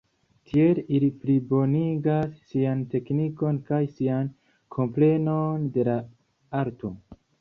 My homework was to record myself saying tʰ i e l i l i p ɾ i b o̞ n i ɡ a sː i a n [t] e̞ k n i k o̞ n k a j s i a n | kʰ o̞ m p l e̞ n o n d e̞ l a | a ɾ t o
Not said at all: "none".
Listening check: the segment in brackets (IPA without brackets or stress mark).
t